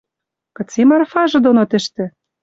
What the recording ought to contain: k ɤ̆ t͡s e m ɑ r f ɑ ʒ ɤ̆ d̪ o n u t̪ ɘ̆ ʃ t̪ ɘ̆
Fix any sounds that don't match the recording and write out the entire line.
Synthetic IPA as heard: k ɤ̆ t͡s e m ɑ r f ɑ ʒ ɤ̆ d̪ o n o t̪ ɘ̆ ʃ t̪ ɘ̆